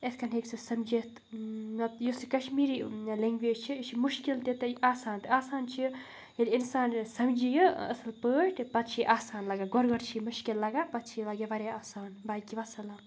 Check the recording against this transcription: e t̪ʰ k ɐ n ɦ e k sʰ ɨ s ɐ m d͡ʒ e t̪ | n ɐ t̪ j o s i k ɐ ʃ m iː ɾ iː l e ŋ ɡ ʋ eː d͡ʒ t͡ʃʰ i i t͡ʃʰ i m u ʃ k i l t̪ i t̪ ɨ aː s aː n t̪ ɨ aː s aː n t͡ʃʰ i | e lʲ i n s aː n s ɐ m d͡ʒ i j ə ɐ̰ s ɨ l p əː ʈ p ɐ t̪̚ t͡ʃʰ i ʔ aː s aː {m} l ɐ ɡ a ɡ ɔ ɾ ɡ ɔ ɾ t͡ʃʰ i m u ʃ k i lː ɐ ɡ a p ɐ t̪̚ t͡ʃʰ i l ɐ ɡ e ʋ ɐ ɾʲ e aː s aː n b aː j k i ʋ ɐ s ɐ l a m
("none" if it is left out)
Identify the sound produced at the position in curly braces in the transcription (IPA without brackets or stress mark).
n